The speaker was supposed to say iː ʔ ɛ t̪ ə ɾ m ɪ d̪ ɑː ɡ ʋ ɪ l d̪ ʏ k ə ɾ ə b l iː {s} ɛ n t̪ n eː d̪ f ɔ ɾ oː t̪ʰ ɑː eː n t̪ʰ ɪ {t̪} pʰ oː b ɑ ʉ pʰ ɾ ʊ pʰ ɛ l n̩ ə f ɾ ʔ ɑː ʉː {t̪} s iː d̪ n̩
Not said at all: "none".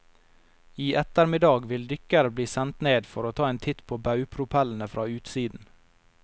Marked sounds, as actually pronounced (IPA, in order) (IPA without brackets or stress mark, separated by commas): s, t̪, t̪